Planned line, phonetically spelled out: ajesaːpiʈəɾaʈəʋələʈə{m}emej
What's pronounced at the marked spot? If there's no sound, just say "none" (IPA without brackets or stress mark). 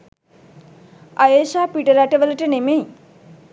n